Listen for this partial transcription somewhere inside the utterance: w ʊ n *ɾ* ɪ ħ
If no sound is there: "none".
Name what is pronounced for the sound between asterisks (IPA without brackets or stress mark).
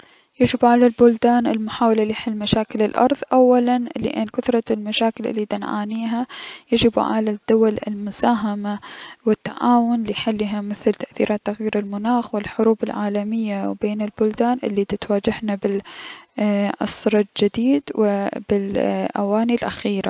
l